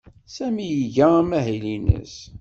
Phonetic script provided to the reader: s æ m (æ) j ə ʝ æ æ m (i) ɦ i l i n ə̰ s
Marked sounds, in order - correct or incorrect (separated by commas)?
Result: incorrect, incorrect